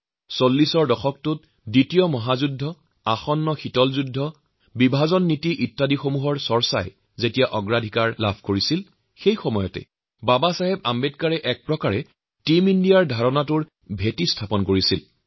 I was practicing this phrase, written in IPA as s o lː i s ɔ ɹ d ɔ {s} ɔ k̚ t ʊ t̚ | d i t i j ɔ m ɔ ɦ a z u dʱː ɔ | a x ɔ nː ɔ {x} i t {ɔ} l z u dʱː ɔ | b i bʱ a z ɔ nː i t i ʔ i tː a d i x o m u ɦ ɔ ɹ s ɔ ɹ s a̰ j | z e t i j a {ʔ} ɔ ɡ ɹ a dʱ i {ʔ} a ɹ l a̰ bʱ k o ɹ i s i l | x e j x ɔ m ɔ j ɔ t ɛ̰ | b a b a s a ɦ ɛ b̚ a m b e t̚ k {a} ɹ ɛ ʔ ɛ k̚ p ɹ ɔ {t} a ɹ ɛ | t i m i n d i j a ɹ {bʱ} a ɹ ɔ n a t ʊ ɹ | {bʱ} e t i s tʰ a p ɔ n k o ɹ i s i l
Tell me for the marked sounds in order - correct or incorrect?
incorrect, correct, correct, correct, incorrect, correct, incorrect, incorrect, correct

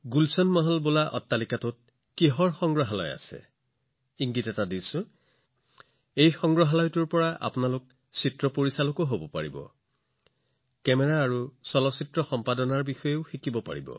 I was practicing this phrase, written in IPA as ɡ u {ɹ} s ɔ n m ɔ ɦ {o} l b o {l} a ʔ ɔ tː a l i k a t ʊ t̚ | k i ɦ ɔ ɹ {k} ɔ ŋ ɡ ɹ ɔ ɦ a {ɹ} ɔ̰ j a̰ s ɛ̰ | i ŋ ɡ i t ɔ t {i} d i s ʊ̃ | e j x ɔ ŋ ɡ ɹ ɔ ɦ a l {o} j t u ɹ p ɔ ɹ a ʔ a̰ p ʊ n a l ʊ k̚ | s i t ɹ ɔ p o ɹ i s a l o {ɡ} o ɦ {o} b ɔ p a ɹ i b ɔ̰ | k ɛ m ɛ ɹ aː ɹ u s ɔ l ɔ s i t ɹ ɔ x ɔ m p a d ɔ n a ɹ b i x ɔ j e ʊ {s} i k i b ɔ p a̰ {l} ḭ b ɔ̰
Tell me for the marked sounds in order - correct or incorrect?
incorrect, incorrect, correct, incorrect, incorrect, incorrect, incorrect, incorrect, correct, incorrect, incorrect

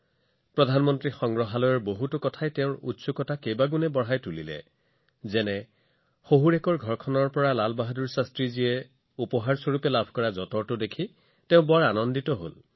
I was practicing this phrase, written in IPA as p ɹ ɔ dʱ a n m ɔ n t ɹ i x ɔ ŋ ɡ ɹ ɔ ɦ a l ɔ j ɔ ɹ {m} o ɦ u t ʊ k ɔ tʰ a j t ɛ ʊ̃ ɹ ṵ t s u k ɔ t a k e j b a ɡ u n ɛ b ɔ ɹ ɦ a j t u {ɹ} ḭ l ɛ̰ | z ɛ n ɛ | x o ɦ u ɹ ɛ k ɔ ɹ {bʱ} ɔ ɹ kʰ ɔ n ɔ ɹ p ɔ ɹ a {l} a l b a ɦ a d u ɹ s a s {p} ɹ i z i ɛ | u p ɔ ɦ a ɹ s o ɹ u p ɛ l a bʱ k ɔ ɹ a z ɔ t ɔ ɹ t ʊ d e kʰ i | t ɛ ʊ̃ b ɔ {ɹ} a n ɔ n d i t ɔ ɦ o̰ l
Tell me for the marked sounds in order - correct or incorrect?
incorrect, incorrect, incorrect, correct, incorrect, correct

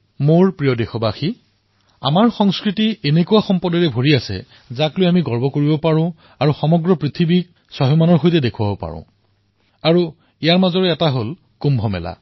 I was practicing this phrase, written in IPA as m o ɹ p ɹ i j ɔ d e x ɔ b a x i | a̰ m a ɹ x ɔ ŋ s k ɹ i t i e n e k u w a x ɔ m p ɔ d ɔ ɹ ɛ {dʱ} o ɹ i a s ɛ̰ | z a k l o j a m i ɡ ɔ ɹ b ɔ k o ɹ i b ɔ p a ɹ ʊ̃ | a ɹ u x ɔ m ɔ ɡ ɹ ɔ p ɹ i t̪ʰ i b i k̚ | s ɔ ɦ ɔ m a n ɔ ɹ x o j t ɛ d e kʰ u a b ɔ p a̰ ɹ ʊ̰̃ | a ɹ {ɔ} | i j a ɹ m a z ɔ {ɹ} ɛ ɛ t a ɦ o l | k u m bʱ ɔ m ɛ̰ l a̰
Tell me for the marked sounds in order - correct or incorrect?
incorrect, incorrect, correct

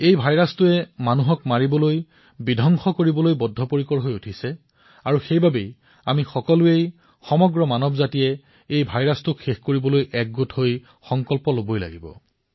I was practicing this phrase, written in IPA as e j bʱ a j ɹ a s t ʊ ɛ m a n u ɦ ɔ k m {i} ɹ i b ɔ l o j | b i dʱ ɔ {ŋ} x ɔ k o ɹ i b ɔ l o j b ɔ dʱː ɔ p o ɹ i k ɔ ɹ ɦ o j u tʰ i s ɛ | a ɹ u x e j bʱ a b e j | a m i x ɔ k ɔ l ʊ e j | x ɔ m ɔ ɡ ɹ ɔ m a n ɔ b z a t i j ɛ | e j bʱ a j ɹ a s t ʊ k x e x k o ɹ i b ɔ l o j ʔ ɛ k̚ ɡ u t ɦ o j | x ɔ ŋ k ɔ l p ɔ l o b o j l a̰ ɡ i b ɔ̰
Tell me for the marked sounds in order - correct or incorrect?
incorrect, correct

